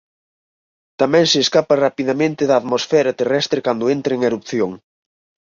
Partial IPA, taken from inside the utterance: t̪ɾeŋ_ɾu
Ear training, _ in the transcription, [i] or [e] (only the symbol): e